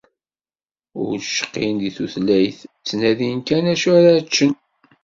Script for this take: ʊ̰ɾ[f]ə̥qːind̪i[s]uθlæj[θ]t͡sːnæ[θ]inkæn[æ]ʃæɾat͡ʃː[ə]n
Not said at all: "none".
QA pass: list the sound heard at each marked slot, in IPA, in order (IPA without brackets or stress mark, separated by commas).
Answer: ʃ, θ, θ, ð, æ, ə